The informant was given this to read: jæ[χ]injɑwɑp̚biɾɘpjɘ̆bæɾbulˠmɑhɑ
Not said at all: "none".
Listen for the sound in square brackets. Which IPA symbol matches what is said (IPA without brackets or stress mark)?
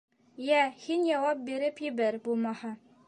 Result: h